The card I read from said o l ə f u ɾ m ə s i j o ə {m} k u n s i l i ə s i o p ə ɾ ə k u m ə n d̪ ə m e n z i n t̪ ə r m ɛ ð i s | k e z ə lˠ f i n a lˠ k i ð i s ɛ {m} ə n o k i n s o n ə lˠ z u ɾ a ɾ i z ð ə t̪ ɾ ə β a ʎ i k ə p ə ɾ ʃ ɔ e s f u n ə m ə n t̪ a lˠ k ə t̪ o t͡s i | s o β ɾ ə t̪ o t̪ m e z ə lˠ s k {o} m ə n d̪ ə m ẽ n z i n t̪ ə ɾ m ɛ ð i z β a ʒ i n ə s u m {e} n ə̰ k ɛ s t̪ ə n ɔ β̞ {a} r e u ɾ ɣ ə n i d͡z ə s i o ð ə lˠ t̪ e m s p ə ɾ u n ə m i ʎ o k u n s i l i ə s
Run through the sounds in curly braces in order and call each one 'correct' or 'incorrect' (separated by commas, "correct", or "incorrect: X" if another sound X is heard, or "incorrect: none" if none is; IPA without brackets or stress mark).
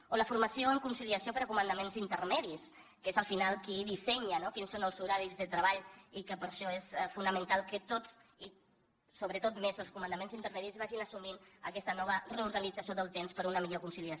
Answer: incorrect: ŋ, incorrect: ɲ, incorrect: u, incorrect: i, incorrect: ə